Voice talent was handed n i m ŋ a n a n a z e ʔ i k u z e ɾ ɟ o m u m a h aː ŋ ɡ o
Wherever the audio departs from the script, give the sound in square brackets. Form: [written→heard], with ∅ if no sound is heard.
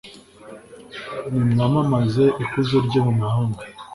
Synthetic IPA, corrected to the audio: n i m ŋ a [n→m] a [n→m] a z e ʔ i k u z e ɾ ɟ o m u m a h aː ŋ ɡ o